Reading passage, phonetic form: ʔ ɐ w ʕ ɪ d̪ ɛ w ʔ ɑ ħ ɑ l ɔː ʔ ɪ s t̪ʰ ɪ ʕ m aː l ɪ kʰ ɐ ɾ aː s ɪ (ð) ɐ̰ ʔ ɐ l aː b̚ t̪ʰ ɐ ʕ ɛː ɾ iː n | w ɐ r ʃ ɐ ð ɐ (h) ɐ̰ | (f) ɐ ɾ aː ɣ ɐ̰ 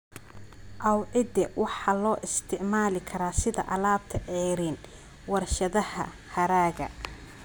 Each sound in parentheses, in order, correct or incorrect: correct, correct, incorrect: h

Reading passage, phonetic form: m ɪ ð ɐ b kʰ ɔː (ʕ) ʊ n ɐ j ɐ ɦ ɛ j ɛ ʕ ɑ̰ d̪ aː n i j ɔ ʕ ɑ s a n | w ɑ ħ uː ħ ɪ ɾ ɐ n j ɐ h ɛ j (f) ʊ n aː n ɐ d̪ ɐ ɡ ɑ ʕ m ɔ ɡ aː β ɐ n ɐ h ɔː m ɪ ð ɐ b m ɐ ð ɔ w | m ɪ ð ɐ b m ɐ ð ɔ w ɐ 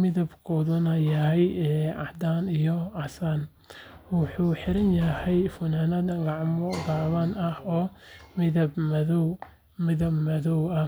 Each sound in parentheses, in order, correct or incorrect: incorrect: ð, correct

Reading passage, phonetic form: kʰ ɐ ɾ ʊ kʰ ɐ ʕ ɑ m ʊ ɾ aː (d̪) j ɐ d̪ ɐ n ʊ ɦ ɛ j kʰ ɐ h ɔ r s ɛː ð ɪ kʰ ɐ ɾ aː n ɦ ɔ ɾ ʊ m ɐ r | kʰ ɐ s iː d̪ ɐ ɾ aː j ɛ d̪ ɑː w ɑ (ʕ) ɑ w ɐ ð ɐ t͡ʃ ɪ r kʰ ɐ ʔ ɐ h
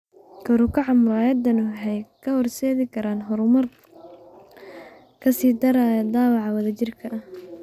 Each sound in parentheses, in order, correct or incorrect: incorrect: none, correct

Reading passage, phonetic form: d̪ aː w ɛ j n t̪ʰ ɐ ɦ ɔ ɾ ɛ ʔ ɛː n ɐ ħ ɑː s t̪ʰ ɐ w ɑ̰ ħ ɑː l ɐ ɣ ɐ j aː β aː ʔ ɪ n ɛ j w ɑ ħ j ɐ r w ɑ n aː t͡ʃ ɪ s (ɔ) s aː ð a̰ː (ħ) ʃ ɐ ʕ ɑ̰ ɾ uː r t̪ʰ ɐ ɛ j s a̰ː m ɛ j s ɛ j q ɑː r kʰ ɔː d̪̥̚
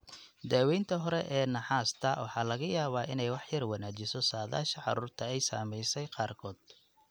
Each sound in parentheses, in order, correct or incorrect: correct, incorrect: none

